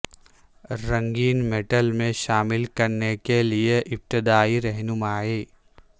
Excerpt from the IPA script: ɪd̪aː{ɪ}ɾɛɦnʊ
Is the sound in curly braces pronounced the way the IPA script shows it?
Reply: no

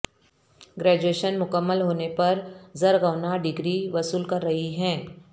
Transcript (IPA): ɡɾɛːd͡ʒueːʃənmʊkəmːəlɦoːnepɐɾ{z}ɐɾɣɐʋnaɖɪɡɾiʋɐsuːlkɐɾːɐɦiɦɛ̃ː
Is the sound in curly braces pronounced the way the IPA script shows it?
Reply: yes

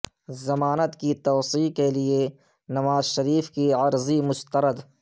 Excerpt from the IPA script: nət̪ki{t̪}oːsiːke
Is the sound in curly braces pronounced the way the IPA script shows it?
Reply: yes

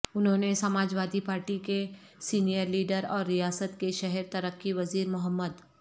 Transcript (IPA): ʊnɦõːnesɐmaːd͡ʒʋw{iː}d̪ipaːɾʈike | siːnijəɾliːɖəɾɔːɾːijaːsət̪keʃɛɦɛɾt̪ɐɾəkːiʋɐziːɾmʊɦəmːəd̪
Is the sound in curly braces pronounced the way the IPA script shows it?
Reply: no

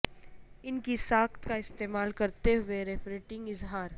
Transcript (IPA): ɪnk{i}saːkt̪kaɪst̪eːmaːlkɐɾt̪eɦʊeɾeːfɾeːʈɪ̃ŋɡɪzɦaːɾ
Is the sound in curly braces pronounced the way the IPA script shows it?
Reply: yes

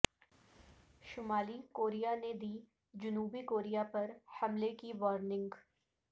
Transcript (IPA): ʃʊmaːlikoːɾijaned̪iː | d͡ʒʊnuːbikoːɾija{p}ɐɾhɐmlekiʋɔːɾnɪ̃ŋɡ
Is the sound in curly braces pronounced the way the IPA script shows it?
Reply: yes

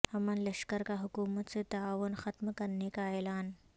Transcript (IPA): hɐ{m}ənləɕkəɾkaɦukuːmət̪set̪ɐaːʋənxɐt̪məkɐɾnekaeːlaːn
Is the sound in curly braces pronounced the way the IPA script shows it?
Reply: yes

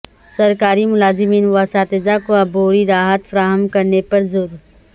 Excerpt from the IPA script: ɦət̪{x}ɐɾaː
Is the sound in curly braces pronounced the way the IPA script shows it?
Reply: no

